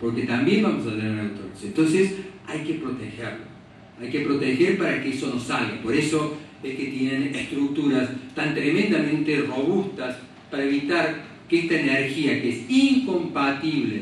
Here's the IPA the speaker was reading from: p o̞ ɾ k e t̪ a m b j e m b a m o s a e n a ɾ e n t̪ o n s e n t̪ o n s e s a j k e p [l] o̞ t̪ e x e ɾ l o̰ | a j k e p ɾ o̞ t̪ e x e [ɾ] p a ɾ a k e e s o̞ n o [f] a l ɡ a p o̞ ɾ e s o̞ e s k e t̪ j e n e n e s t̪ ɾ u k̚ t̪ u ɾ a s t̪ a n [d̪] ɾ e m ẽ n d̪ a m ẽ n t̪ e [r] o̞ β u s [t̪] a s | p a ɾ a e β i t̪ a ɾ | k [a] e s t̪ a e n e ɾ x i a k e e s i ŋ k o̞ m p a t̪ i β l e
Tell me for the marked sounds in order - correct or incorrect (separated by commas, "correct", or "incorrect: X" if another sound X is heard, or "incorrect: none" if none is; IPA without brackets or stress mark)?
incorrect: ɾ, correct, incorrect: s, incorrect: t̪, correct, correct, incorrect: e